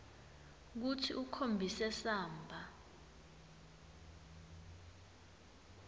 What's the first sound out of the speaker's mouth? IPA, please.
k̬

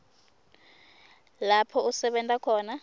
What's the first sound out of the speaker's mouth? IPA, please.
l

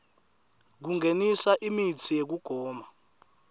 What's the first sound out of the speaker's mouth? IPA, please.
k̬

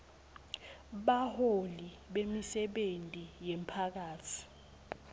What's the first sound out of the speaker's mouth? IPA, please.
ɓ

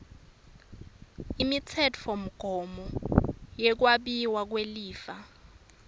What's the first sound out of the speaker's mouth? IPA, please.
i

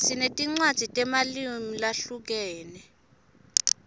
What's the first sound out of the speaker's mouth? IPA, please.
s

